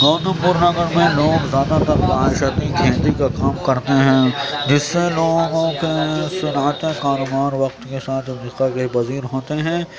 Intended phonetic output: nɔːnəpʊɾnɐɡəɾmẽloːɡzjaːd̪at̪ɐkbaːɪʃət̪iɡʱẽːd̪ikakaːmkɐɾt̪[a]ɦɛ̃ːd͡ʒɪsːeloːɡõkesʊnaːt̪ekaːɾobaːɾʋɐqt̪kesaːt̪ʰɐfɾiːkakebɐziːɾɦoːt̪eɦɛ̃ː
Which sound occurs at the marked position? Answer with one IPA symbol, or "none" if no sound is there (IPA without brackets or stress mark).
e